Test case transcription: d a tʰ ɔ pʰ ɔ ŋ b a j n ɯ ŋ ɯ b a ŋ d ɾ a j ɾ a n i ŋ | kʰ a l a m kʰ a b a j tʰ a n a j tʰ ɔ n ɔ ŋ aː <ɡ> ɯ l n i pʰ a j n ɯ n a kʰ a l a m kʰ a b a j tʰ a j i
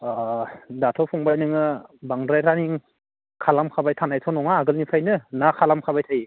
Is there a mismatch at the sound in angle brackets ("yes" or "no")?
no